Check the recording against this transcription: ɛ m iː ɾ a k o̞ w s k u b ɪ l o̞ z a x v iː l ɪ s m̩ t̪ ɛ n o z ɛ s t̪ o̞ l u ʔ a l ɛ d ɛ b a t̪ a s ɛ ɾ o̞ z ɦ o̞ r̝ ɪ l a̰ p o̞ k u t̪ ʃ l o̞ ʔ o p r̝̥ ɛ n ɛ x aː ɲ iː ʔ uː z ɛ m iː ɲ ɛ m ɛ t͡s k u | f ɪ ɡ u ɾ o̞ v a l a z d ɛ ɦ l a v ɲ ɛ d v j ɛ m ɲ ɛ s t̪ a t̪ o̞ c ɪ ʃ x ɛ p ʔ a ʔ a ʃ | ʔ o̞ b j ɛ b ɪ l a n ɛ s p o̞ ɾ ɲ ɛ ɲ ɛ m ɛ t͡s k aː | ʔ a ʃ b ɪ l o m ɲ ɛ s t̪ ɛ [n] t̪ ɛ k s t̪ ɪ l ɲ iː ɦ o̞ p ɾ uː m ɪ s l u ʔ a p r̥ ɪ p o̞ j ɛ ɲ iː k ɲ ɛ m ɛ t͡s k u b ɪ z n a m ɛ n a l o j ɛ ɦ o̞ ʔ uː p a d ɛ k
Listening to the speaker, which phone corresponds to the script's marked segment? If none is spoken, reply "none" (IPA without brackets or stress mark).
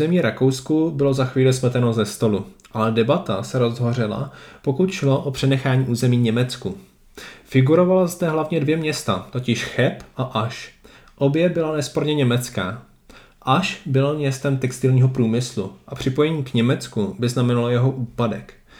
m